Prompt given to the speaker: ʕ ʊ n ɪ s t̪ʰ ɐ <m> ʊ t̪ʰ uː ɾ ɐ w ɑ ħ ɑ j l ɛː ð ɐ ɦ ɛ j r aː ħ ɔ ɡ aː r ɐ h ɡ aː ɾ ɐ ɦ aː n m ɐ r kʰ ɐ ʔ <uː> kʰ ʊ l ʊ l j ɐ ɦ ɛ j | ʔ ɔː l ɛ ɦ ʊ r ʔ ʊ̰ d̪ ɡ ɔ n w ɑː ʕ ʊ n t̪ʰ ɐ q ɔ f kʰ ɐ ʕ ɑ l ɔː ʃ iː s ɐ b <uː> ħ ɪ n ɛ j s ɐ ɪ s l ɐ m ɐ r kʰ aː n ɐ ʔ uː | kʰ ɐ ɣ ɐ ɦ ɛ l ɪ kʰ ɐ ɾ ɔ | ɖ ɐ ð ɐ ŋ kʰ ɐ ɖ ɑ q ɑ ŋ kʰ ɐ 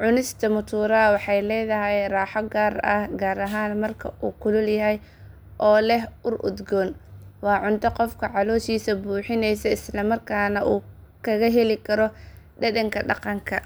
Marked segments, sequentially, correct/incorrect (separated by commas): correct, correct, correct